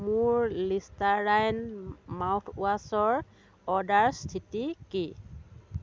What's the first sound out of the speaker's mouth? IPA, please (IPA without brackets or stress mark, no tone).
m